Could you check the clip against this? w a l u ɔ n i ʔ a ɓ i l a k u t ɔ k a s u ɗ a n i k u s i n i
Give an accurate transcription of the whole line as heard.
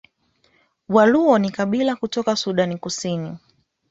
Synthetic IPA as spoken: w a l u ɔ n i k a ɓ i l a k u t ɔ k a s u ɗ a n i k u s i n i

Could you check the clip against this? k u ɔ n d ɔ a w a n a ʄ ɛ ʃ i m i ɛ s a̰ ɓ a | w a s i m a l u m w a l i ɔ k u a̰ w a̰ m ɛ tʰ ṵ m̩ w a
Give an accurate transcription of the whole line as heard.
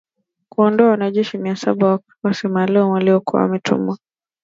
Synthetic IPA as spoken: k u ɔ n d ɔ a w a n a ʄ ɛ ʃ i m i a s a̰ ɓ a | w a s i m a l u m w a l i ɔ k u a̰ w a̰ m ɛ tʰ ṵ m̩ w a

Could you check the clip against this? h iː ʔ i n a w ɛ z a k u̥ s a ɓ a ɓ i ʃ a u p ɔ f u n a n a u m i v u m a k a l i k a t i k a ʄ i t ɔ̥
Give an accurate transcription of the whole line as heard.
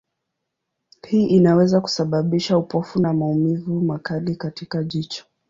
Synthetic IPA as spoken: h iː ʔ i n a w ɛ z a k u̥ s a ɓ a ɓ i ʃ a u p ɔ f u n a m a u m i v u m a k a l i k a t i k a ʄ i t͡ʃ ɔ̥

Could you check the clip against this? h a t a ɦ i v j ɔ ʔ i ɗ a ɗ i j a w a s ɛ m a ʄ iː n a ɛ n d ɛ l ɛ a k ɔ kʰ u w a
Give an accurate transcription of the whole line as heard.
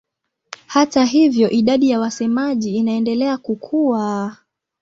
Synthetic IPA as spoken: h a t a ɦ i v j ɔ ʔ i ɗ a ɗ i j a w a s ɛ m a ʄ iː n a ɛ n d ɛ l ɛ a k u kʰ u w a

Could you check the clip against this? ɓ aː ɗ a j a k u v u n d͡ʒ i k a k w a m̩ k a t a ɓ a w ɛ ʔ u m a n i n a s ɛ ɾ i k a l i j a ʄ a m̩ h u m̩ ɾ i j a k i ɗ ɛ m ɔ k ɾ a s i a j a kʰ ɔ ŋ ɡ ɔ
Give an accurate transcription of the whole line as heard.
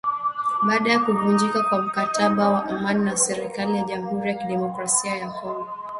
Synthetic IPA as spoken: ɓ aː ɗ a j a k u v u n d͡ʒ i k a k w a m̩ k a t a ɓ a w a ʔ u m a n i n a s ɛ ɾ i k a l i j a ʄ a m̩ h u ɾ i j a k i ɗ ɛ m ɔ k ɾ a s i a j a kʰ ɔ ŋ ɡ ɔ

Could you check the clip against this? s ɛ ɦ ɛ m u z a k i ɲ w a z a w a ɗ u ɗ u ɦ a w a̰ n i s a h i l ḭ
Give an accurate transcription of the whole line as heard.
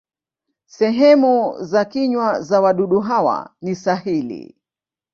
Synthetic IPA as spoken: s ɛ ɦ ɛ m u z a k i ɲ w a z a w a ɗ u ɗ u ɦ a w a̰ n i s a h i l ḭ

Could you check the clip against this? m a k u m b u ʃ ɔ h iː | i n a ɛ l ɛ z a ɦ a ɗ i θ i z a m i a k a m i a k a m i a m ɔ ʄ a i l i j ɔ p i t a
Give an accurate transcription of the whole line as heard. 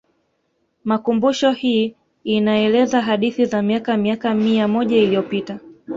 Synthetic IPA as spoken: m a k u m b u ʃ ɔ h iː | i n a ɛ l ɛ z a ɦ a ɗ i θ i z a m i a k a m i a k a m i a m ɔ ʄ a i l i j ɔ p i t a

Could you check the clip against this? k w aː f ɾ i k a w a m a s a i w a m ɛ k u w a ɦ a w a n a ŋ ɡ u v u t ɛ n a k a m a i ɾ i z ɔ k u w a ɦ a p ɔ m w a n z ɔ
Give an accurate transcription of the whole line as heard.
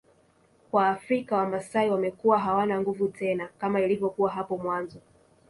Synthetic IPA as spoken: k w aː f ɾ i k a w a m a s a i w a m ɛ k u w a ɦ a w a n a ŋ ɡ u v u t ɛ n a k a m a i l i v ɔ k u w a ɦ a p ɔ m w a n z ɔ

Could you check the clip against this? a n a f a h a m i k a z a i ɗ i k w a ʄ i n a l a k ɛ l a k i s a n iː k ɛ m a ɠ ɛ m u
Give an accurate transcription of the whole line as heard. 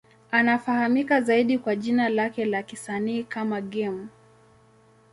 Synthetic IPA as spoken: a n a f a h a m i k a z a i ɗ i k w a ʄ i n a l a k ɛ l a k i s a n iː k a m a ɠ ɛ m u

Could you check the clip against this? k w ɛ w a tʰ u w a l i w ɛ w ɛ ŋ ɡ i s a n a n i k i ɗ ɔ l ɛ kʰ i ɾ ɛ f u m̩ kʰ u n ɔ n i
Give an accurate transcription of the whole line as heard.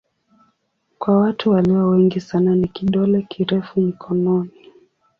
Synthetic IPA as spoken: k w a w a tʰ u w a l i w a w ɛ ŋ ɡ i s a n a n i k i ɗ ɔ l ɛ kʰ i ɾ ɛ f u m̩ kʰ ɔ n ɔ n i

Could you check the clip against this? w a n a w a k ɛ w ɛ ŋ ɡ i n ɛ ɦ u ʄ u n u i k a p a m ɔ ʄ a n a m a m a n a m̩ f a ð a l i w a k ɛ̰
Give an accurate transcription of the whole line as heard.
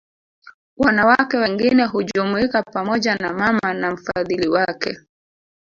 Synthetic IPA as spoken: w a n a w a k ɛ w ɛ ŋ ɡ i n ɛ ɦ u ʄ u m u i k a p a m ɔ ʄ a n a m a m a n a m̩ f a ð i l i w a k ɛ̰

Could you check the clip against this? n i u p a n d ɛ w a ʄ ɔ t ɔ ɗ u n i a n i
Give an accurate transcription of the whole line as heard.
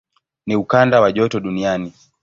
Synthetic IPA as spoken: n i u k a n d a w a ʄ ɔ t ɔ ɗ u n i a n i

